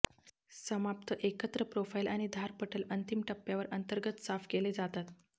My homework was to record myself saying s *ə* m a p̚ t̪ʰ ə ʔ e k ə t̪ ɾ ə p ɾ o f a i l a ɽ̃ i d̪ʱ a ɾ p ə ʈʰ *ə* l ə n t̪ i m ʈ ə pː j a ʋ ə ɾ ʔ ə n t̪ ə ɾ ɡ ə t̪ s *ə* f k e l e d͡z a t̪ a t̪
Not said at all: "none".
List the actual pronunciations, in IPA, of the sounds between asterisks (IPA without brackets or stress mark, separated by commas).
ə, ə, a